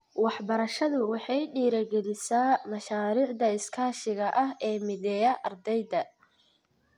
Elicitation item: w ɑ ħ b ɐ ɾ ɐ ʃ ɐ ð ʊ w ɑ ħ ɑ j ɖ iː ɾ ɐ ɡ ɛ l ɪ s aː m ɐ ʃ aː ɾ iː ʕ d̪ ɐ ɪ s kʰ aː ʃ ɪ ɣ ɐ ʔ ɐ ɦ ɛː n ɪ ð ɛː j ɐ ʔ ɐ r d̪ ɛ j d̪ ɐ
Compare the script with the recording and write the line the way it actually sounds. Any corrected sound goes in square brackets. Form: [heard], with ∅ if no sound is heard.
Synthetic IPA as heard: w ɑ ħ b ɐ ɾ ɐ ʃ ɐ ð ʊ w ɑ ħ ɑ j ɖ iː ɾ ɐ ɡ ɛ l ɪ s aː m ɐ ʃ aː ɾ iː ʕ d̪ ɐ ɪ s kʰ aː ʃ ɪ ɣ ɐ ʔ ɐ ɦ ɛː [m] ɪ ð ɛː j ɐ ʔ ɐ r d̪ ɛ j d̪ ɐ